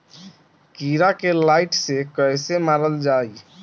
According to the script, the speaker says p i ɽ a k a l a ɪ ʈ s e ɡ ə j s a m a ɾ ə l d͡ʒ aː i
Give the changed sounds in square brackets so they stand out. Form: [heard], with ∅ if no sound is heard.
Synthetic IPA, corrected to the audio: [k] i [ɾ] a k [e] l a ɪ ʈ s e [k] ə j s [e] m a ɾ ə l d͡ʒ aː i